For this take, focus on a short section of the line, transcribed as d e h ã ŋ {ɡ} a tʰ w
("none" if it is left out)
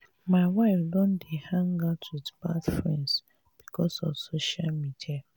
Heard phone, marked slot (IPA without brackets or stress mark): ɡ